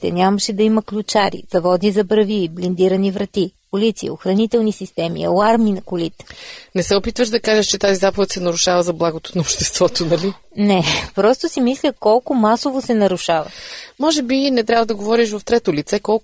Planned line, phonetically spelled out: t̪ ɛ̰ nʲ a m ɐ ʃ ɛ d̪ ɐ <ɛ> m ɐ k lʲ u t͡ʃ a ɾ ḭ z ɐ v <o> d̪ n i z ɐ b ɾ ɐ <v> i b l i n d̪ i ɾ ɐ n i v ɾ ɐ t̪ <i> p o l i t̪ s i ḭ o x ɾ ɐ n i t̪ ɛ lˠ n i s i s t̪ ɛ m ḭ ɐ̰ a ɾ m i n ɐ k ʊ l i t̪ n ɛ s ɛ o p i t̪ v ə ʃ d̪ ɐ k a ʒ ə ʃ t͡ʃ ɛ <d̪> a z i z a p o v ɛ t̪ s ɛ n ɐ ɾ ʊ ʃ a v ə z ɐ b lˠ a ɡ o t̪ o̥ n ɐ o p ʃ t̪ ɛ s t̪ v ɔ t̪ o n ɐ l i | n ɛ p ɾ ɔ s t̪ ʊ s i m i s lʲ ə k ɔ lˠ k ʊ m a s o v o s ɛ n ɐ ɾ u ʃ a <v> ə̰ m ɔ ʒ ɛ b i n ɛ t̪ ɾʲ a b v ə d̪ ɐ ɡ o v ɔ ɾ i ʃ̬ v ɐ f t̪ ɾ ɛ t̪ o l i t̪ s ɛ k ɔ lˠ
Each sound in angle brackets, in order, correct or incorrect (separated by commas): incorrect, incorrect, correct, correct, incorrect, correct